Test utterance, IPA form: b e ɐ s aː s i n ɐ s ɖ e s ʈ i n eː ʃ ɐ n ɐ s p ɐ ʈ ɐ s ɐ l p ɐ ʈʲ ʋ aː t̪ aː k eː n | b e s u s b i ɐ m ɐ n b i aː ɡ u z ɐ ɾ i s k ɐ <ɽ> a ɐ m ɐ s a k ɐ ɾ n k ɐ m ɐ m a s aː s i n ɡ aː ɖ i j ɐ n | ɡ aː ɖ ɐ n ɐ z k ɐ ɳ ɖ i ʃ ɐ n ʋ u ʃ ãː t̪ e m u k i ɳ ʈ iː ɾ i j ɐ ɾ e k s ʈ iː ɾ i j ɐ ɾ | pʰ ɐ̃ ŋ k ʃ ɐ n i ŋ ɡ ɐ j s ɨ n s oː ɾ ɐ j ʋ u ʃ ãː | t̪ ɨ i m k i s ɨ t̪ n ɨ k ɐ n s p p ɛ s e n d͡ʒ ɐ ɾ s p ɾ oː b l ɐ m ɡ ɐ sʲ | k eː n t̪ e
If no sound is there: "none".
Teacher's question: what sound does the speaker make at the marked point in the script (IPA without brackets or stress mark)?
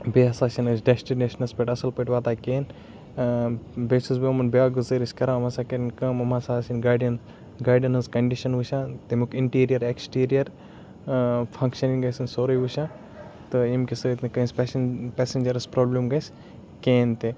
ɾ